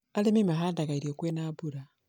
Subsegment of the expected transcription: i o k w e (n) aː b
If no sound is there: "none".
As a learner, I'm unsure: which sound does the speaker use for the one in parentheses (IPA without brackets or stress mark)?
n